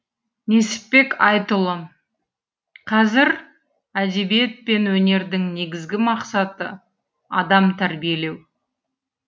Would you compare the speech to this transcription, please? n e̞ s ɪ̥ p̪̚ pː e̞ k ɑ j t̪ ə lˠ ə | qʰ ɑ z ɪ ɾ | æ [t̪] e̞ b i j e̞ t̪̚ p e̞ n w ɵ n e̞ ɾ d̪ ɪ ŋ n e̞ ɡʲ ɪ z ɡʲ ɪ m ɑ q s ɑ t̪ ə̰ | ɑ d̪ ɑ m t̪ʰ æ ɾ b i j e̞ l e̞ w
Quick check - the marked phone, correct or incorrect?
incorrect